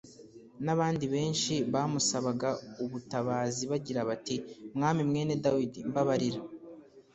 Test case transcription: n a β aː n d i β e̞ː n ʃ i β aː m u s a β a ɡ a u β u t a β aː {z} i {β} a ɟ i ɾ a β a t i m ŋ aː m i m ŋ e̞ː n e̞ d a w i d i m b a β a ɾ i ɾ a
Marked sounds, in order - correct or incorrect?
correct, correct

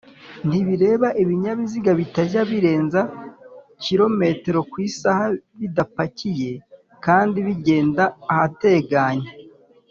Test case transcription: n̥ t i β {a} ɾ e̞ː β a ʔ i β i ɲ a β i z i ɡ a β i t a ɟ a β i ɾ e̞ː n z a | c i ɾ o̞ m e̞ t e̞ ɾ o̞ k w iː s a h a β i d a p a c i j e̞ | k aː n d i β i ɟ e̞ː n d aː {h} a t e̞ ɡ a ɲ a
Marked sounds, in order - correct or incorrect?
incorrect: i, correct

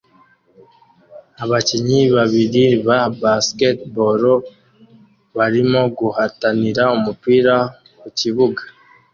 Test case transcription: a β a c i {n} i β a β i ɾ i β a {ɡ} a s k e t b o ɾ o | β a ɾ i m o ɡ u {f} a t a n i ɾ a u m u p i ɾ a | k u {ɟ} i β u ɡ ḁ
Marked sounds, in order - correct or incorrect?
incorrect: ɲ, incorrect: b, incorrect: h, incorrect: c

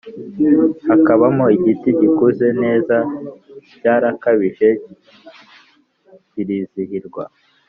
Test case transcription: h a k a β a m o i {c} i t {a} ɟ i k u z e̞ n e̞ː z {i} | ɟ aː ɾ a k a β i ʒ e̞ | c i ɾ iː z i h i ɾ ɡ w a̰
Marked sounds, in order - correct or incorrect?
incorrect: ɟ, incorrect: i, incorrect: a

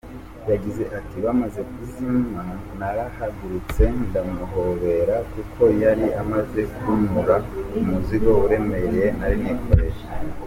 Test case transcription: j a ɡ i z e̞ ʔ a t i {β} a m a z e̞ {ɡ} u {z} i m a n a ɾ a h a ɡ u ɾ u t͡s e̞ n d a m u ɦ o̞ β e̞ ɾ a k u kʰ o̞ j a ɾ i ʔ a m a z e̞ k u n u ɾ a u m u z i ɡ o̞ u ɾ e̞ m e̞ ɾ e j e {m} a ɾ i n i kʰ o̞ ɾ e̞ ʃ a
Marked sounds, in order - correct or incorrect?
correct, incorrect: k, correct, incorrect: n

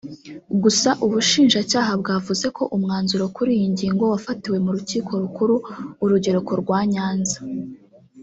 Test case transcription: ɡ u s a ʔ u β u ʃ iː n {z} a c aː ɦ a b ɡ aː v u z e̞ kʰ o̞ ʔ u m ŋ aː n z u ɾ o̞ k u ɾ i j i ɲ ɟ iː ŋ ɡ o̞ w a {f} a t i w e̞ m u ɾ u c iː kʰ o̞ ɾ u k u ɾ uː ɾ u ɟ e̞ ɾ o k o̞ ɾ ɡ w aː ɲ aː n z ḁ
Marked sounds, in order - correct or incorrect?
incorrect: ʒ, correct

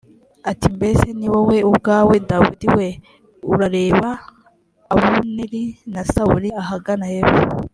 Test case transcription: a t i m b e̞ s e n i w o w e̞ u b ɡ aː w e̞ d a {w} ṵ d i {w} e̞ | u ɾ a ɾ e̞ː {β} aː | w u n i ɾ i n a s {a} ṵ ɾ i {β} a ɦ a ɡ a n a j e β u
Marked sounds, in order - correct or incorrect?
correct, correct, correct, correct, incorrect: none

